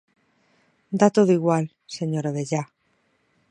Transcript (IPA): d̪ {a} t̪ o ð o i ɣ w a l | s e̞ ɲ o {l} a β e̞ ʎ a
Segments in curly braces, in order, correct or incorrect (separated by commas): correct, incorrect